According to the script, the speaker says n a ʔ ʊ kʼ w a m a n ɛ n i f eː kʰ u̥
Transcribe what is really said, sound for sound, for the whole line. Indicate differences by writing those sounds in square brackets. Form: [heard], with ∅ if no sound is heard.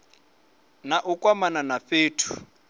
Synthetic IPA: n a ʔ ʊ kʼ w a m a n [a] n [a] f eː [tʰ] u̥